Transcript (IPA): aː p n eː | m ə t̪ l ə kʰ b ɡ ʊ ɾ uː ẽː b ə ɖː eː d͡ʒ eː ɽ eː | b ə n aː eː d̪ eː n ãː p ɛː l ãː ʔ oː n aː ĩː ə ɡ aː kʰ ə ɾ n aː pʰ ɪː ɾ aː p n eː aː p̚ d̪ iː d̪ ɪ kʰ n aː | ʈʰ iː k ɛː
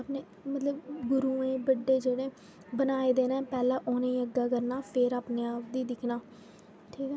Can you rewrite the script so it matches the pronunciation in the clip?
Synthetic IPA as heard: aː p n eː | m ə t̪ l ə b ɡ ʊ ɾ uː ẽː b ə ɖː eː d͡ʒ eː ɽ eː | b ə n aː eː d̪ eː n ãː p ɛː l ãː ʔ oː n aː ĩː ə ɡ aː k ə ɾ n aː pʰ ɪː ɾ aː p n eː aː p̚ d̪ iː d̪ ɪ kʰ n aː | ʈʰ iː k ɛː